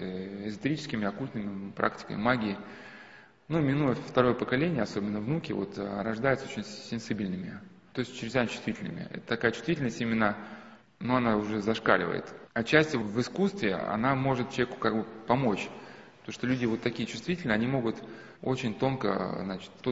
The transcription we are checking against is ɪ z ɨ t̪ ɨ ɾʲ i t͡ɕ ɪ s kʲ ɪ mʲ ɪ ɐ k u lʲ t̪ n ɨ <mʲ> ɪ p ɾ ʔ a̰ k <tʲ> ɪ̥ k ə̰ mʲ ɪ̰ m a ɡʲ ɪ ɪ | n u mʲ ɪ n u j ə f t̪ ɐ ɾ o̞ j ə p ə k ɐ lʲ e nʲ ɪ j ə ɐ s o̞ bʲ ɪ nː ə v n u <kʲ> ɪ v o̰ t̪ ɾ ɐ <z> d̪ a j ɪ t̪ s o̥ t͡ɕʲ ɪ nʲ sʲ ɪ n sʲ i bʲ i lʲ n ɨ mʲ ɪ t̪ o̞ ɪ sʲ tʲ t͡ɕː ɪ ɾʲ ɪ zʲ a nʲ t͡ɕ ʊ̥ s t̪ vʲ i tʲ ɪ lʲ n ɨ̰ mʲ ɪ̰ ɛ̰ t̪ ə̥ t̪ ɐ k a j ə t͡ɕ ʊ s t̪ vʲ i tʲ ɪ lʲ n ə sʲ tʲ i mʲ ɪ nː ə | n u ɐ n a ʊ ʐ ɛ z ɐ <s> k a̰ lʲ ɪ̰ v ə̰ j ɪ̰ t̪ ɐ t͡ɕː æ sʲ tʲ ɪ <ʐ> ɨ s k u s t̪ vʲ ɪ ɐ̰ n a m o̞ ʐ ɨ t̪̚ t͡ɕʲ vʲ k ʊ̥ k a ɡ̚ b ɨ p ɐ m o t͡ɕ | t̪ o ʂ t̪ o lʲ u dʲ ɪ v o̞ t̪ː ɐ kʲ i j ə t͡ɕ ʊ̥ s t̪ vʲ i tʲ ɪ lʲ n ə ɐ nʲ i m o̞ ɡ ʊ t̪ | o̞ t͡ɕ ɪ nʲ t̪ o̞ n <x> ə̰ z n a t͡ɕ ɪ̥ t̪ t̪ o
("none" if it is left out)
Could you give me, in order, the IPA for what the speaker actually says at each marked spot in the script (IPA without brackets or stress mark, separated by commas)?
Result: mʲ, tʲ, kʲ, ʐ, ʂ, v, k